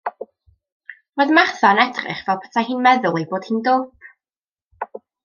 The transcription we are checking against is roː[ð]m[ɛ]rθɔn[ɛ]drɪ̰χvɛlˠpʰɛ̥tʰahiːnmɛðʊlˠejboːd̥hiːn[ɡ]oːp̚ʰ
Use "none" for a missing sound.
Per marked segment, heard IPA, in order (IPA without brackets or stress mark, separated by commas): ð, a, ɛ, d